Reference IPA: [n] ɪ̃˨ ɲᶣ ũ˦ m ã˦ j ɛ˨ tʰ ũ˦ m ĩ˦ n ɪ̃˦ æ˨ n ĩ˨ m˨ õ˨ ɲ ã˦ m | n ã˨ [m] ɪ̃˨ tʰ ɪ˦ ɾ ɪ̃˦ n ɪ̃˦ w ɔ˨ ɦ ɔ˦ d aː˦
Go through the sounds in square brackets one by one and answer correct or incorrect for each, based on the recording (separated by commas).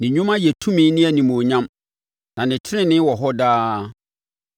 correct, incorrect